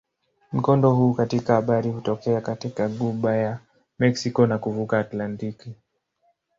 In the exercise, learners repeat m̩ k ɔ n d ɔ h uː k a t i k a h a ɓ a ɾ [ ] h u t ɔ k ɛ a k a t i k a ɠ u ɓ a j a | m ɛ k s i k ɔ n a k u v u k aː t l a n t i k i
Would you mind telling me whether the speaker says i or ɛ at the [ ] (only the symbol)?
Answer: i